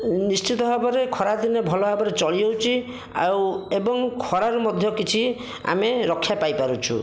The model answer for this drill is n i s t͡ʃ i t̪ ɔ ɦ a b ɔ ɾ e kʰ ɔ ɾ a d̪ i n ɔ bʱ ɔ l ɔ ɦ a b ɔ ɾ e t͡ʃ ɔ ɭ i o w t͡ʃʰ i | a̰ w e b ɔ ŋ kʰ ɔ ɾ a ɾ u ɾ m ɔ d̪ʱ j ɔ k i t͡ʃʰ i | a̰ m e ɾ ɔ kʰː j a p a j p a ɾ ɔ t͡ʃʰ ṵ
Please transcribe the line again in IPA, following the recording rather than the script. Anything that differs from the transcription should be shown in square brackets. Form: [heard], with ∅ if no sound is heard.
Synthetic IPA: n i s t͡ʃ i t̪ ɔ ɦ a b ɔ ɾ e kʰ ɔ ɾ a d̪ i n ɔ bʱ ɔ l ɔ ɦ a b ɔ ɾ e t͡ʃ ɔ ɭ i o w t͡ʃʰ i | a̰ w e b ɔ ŋ kʰ ɔ ɾ a ɾ u [∅] m ɔ d̪ʱ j ɔ k i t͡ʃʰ i | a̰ m e ɾ ɔ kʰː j a p a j p a ɾ [u] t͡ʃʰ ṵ